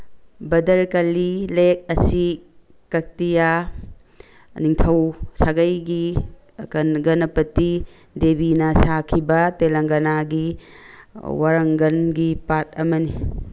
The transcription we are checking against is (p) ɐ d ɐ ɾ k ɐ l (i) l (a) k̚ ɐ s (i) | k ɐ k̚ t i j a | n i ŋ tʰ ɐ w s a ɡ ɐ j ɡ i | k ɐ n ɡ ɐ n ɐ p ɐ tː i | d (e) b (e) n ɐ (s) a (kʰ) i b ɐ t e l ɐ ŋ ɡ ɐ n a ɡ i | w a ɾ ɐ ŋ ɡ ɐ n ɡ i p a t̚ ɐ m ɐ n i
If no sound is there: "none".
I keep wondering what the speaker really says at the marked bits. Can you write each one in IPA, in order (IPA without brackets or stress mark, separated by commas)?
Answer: b, i, e, i, e, i, s, kʰ